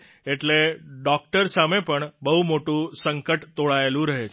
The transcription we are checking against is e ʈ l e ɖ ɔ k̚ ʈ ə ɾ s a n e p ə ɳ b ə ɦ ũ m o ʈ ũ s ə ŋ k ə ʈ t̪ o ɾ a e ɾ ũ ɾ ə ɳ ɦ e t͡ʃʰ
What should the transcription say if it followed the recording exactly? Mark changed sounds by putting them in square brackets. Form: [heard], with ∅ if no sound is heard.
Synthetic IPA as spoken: e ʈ l e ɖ ɔ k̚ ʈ ə ɾ s a [m] e p ə ɳ b ə ɦ [u] m o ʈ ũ s ə ŋ k ə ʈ t̪ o [ɭ] a e [l] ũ ɾ ə [∅] ɦ e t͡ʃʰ